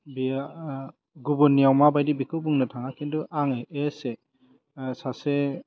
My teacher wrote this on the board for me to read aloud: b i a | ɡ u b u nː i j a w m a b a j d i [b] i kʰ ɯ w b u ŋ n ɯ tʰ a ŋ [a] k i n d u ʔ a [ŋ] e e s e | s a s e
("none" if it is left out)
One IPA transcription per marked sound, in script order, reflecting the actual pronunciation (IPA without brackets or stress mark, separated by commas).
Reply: b, a, ŋ